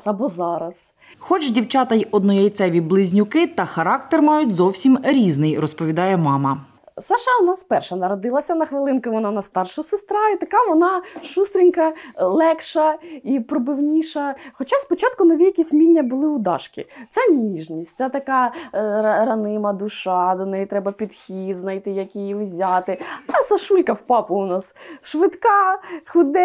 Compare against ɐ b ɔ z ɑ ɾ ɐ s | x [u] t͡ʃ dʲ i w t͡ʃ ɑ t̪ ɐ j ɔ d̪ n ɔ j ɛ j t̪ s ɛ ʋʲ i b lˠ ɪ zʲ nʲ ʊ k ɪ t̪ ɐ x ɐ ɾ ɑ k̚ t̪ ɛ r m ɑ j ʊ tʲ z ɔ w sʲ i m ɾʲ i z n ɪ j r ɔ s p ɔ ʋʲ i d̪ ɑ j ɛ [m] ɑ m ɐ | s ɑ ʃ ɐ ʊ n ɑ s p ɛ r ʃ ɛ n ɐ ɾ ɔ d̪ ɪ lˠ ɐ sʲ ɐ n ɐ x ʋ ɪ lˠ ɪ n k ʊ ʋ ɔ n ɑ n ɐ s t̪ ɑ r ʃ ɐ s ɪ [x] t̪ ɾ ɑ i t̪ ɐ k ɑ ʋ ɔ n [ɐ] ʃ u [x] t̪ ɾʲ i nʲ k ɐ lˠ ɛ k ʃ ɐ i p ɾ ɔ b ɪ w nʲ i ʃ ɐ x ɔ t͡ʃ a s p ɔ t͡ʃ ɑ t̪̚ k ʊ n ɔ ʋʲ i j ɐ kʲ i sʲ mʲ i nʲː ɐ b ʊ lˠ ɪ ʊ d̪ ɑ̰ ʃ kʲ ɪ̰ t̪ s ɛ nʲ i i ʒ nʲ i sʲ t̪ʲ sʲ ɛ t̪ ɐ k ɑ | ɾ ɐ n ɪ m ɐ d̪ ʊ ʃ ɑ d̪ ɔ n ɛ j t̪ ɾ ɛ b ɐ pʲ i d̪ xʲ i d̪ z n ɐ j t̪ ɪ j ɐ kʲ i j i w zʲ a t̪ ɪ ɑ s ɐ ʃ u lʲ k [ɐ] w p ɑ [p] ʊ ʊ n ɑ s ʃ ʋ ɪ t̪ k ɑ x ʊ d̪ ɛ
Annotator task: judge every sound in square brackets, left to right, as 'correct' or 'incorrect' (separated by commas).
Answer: incorrect, correct, incorrect, incorrect, incorrect, correct, correct